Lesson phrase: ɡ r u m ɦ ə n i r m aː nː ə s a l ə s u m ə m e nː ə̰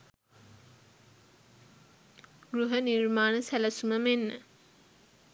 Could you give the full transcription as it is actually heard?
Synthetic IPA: ɡ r u ɦ ə n i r m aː n ə s æ l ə s u m ə m e nː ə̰